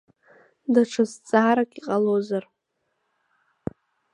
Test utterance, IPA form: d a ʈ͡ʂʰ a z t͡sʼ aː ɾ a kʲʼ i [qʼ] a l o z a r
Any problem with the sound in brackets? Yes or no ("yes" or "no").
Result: no